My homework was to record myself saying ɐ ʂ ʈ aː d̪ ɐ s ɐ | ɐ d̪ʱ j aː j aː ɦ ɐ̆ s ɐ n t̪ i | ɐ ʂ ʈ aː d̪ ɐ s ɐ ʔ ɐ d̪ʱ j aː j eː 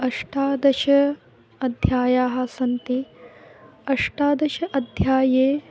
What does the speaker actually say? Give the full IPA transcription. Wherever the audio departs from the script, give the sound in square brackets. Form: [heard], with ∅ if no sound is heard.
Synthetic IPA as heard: ɐ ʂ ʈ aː d̪ ɐ [ʃ] ɐ | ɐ d̪ʱ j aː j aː ɦ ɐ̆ s ɐ n t̪ i | ɐ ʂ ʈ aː d̪ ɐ [ʃ] ɐ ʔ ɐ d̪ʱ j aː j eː